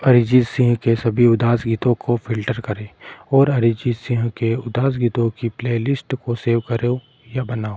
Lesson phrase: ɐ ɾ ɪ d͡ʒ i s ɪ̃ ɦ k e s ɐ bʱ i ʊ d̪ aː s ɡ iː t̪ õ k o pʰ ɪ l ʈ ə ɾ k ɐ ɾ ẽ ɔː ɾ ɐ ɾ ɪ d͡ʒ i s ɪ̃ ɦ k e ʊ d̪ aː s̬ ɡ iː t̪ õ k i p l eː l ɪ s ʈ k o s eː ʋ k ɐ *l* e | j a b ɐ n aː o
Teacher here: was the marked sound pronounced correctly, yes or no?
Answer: no